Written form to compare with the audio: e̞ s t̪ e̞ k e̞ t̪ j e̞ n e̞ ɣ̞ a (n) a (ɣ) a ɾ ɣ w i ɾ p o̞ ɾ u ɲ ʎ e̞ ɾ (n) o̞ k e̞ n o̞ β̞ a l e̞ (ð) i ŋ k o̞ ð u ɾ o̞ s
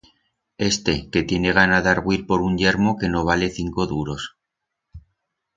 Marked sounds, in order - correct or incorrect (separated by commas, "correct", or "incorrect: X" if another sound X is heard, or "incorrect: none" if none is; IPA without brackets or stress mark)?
correct, incorrect: ð, incorrect: m, incorrect: θ